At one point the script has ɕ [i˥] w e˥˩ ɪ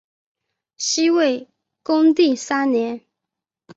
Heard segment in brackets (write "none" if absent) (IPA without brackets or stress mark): i˥